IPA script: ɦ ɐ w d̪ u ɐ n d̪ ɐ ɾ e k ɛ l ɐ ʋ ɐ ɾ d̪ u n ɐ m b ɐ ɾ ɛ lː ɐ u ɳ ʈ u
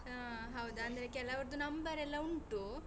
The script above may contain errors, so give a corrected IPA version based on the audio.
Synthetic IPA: ɦ ɐ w d̪ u ɐ n d̪ ɐ ɾ e k ɛ l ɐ ʋ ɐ ɾ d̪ u n ɐ m b ɐ ɾ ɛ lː ɐ u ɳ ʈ u